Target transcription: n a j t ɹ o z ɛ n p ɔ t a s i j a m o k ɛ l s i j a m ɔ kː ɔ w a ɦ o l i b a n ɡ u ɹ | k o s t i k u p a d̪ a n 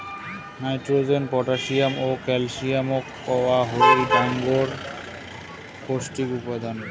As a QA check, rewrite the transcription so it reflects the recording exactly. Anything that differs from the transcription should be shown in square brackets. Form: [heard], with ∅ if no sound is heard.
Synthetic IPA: n a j t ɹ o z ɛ n p ɔ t a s i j a m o k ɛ l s i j a m ɔ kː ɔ w a ɦ o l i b a [ŋ] ɡ [ɔ] ɹ | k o s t i k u p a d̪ a n